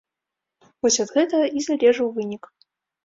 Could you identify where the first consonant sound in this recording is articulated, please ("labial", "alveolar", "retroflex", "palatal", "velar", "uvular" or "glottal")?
labial